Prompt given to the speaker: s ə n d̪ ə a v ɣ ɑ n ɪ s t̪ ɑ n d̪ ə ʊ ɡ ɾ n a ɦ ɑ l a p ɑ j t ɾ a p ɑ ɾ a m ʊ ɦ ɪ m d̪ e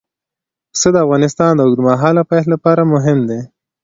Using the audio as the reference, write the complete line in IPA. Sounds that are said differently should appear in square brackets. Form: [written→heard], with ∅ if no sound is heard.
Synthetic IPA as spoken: s ə [n→∅] d̪ ə a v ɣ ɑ n ɪ s t̪ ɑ n d̪ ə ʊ ɡ ɾ [n→m] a ɦ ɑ l a p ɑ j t [ɾ→l] a p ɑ ɾ a m ʊ ɦ ɪ m d̪ e